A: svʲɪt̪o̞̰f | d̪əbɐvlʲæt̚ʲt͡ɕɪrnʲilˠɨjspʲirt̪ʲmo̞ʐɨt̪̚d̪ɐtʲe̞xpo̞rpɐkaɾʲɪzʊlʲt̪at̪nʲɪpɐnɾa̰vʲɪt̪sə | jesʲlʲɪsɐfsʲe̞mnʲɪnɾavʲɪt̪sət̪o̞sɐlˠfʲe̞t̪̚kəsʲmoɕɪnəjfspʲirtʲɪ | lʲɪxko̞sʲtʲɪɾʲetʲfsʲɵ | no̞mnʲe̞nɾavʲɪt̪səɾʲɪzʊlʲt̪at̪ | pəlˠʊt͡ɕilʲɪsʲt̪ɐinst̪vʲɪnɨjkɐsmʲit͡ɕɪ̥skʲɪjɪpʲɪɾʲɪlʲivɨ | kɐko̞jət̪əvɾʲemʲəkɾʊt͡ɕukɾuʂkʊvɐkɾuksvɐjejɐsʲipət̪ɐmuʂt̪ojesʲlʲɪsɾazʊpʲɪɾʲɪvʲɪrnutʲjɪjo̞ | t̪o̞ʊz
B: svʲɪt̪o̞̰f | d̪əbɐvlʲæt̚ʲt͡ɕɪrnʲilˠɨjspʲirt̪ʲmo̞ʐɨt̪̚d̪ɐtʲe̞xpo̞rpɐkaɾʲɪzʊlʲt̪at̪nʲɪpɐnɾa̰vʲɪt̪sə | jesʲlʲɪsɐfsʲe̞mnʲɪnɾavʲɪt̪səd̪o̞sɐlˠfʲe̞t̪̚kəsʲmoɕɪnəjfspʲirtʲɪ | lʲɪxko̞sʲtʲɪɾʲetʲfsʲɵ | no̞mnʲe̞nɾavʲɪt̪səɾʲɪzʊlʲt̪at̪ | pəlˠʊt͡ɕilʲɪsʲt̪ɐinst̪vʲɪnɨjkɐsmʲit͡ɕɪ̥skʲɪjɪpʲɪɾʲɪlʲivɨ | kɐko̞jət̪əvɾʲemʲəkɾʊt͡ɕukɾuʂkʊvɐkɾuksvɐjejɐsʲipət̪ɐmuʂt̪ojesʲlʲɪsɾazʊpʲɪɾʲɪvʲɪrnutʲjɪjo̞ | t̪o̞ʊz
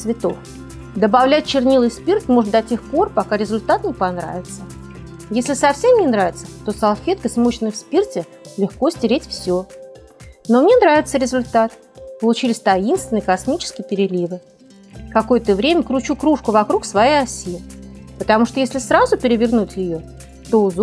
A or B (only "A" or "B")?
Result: A